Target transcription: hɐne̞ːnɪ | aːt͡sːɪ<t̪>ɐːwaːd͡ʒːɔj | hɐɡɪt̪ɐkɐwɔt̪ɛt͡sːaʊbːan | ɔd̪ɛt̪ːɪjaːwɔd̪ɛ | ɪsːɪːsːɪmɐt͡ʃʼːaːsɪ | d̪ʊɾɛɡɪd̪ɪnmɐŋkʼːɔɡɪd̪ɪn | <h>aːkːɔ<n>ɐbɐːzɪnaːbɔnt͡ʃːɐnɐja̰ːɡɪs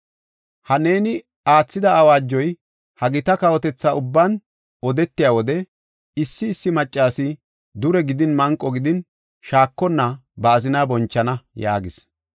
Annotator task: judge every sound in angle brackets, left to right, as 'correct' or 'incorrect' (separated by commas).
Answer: incorrect, incorrect, incorrect